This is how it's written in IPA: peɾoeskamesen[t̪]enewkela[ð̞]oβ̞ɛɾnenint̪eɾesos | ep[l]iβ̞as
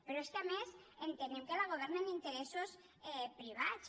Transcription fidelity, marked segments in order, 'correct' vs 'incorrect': correct, incorrect, incorrect

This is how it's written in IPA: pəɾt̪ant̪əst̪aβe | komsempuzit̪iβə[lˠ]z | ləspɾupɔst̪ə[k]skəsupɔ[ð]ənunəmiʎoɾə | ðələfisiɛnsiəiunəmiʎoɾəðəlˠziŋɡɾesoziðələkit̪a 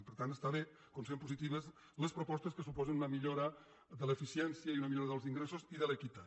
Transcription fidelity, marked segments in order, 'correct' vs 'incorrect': incorrect, incorrect, incorrect

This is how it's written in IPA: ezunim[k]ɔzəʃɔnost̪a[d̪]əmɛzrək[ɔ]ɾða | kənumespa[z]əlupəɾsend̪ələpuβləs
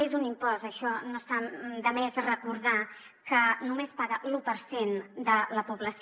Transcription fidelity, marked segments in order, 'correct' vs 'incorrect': incorrect, correct, incorrect, incorrect

